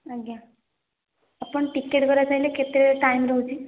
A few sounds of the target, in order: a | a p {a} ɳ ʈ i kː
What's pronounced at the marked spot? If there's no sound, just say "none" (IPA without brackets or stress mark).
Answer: ə